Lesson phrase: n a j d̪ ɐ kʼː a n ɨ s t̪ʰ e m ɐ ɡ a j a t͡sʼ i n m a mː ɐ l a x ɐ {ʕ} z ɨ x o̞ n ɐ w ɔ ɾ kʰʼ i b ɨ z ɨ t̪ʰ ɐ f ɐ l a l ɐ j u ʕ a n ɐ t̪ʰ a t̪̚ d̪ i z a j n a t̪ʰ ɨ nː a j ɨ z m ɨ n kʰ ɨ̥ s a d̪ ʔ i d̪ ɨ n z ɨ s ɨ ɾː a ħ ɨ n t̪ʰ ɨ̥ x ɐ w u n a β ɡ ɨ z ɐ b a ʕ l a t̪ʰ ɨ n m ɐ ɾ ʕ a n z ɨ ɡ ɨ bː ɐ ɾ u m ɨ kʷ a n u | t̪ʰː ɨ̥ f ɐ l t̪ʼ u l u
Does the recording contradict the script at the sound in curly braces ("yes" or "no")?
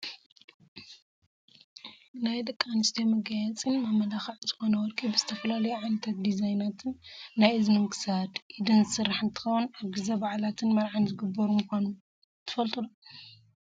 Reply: no